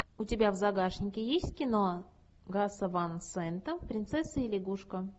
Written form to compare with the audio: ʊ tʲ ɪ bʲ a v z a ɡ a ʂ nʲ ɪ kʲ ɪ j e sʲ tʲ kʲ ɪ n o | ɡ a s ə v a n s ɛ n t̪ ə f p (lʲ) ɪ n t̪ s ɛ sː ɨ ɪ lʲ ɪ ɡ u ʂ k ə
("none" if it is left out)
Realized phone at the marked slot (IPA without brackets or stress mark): ɾʲ